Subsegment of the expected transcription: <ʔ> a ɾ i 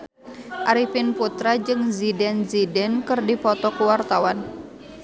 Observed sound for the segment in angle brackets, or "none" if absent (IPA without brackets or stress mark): ʔ